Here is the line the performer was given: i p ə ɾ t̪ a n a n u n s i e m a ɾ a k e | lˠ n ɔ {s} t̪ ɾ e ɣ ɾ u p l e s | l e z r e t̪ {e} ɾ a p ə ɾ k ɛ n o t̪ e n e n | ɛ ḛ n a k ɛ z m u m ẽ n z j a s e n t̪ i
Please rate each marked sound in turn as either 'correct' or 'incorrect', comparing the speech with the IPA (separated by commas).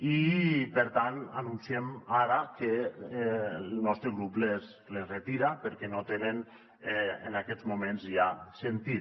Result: correct, incorrect